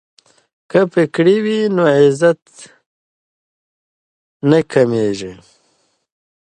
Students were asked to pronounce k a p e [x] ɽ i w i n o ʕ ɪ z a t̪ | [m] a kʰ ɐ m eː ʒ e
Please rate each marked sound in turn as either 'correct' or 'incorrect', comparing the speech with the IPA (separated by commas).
incorrect, incorrect